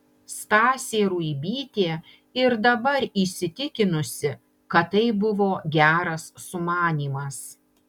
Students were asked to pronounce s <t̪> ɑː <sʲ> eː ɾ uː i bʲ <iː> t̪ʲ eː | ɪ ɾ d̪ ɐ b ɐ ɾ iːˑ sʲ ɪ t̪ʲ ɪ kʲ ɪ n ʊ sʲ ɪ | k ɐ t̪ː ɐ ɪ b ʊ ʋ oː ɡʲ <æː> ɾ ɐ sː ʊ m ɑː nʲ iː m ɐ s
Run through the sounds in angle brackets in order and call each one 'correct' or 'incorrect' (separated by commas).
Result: correct, correct, correct, correct